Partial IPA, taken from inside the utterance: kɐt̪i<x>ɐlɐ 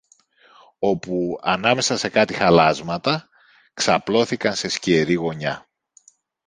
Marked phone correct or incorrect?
correct